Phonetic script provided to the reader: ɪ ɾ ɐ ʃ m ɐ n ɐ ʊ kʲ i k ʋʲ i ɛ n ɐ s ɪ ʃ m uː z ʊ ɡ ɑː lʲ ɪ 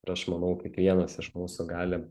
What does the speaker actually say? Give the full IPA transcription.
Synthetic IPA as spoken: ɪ ɾ ɐ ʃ m ɐ n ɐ ʊ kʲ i k ʋʲ i ɛ n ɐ s ɪ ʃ m uː s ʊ ɡ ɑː lʲ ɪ